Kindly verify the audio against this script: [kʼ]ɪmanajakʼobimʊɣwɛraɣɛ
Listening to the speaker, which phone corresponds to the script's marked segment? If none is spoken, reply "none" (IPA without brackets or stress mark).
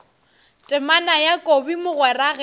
tʼ